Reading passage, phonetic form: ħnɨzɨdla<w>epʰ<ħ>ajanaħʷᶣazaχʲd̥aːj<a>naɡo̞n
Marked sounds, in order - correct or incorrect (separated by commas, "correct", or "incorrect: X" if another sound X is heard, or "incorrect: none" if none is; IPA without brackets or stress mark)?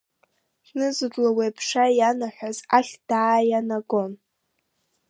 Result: correct, incorrect: ʂ, correct